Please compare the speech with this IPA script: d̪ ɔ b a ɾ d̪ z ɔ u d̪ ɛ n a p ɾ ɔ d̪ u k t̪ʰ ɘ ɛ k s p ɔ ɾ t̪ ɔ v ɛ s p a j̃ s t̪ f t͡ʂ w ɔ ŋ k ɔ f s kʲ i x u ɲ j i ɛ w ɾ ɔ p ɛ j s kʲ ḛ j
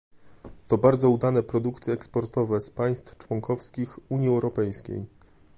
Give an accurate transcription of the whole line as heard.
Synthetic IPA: t̪ ɔ b a ɾ d̪ z ɔ u d̪ a n ɛ p ɾ ɔ d̪ u k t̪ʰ ɘ ɛ k s p ɔ ɾ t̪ ɔ v ɛ s p a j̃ s t̪ f t͡ʂ w ɔ ŋ k ɔ f s kʲ i x u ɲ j i ɛ w ɾ ɔ p ɛ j s kʲ ḛ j